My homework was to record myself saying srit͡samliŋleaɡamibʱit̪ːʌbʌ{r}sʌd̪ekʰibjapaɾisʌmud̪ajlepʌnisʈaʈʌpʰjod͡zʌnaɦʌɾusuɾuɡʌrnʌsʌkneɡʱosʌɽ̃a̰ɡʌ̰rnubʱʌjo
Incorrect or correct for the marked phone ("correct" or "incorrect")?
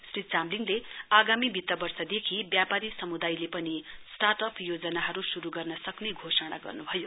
correct